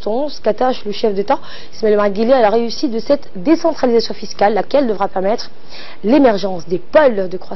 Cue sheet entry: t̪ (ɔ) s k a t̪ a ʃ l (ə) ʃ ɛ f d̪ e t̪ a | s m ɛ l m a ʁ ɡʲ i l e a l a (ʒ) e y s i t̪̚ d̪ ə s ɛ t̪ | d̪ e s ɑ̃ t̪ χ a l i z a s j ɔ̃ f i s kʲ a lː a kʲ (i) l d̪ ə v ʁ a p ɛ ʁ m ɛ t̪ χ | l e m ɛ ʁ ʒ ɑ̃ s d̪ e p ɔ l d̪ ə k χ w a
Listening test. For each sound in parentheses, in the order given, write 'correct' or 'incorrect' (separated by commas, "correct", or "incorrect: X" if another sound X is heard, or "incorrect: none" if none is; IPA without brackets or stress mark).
incorrect: ɔ̃, correct, incorrect: ʁ, incorrect: ɛ